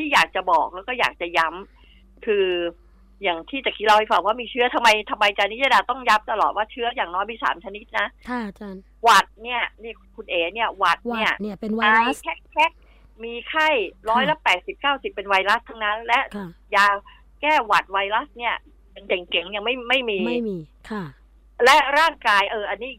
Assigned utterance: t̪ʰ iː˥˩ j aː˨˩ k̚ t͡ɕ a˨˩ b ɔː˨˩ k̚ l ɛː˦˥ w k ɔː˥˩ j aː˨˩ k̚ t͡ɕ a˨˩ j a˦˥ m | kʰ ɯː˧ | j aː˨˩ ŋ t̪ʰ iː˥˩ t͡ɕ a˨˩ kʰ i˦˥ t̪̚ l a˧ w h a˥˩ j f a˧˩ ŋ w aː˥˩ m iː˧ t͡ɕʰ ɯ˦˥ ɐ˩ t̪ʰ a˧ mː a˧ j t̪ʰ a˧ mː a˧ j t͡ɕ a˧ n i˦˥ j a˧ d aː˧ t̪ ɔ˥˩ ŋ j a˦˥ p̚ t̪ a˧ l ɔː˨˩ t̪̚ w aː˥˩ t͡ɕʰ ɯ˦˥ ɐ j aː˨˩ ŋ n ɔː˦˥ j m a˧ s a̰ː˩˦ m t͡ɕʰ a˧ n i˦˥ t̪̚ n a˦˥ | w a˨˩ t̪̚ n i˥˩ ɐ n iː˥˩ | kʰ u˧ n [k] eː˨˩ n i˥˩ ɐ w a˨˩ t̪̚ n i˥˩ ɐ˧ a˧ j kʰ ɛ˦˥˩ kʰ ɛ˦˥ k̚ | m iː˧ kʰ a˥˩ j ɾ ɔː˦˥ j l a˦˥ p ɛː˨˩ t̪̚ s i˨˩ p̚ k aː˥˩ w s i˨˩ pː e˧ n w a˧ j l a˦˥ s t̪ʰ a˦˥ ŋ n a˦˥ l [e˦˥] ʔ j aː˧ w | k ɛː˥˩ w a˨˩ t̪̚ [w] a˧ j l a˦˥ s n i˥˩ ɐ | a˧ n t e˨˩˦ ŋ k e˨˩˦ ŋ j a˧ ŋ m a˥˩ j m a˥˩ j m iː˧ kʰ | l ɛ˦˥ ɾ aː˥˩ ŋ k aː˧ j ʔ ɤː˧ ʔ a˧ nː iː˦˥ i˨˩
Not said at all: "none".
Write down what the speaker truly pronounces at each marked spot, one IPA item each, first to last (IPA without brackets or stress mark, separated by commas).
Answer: ʔ, ɛ˦˥, w